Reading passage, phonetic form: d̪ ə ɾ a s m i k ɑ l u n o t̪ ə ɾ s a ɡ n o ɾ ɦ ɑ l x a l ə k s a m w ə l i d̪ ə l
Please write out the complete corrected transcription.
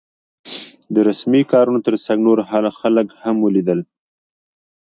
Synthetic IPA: d̪ ə ɾ a s m i k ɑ ɾ u n o t̪ ə ɾ s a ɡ n o ɾ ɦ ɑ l x a l ə k h a m w ə l i d̪ ə l